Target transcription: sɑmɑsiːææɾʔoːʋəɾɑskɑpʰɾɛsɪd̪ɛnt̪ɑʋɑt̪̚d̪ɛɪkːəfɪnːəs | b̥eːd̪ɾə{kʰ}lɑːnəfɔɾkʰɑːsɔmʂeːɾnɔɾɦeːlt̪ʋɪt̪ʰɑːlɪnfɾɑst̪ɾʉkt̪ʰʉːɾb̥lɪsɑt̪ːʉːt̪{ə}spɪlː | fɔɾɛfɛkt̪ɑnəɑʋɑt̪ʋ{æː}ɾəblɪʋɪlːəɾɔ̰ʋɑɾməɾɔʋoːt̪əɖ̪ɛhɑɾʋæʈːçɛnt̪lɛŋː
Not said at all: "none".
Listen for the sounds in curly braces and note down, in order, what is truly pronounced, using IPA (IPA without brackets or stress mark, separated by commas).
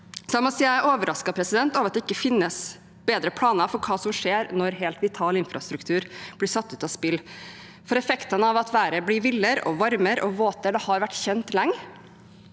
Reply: pʰ, ɑ, æː